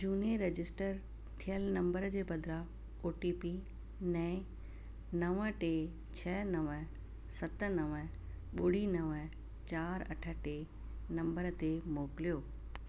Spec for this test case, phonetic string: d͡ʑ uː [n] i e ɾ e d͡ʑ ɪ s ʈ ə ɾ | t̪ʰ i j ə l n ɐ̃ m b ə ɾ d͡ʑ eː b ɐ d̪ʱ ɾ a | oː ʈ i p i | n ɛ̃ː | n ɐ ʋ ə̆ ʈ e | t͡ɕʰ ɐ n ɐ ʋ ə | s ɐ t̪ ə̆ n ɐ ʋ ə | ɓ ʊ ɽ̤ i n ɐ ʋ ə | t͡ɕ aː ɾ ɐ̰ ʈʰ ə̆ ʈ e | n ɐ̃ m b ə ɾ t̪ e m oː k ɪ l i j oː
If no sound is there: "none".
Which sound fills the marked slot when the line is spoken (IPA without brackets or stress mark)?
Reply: n